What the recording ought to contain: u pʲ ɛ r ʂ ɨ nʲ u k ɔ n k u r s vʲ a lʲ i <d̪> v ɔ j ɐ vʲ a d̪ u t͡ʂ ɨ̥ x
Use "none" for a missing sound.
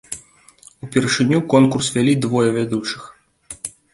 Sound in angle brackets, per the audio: d̪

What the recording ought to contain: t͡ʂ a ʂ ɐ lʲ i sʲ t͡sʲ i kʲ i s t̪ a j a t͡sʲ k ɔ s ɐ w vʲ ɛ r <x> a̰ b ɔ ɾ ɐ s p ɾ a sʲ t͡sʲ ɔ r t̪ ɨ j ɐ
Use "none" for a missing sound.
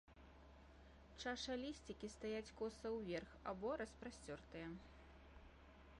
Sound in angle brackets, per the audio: x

